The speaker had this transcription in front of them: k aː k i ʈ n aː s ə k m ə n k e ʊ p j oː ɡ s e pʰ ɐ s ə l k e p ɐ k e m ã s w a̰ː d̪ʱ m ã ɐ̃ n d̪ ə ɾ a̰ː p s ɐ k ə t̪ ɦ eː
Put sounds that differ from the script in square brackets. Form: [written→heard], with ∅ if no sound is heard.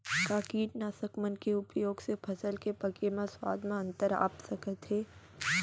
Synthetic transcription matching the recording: k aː k [i→iː] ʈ n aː s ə k m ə n k e ʊ p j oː ɡ s e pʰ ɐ s ə l k e p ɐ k e m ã s w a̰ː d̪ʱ m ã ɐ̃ n [d̪→t̪] ə ɾ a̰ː p s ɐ k ə t̪ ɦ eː